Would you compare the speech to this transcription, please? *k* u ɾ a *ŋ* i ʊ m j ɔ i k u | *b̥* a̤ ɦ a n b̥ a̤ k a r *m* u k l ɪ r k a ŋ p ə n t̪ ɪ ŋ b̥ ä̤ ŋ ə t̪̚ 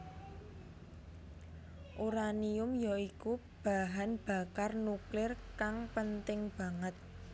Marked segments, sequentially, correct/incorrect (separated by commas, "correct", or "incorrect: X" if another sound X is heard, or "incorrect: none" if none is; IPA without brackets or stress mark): incorrect: ʔ, incorrect: n, correct, incorrect: n